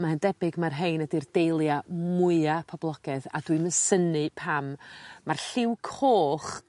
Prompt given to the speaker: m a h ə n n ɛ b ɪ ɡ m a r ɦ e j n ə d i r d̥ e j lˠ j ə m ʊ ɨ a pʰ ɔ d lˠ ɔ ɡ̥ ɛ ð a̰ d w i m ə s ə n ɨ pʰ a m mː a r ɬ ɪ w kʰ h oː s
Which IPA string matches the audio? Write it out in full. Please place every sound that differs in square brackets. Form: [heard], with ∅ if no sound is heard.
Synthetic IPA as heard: m a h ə n [d] ɛ b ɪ ɡ m a r ɦ e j n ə d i r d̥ e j lˠ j [a] m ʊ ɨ a pʰ ɔ [b] lˠ ɔ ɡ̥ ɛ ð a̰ d w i m ə s ə n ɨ pʰ a m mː a r ɬ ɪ w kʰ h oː [χ]